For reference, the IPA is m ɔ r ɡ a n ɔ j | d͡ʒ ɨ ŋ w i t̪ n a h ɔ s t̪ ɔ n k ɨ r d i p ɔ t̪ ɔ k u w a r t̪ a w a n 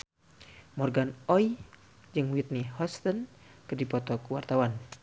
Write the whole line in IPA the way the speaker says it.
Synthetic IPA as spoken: m ɔ r ɡ a n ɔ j | d͡ʒ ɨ ŋ w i t̪ n i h ɔ s t̪ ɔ n k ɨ r d i p ɔ t̪ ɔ k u w a r t̪ a w a n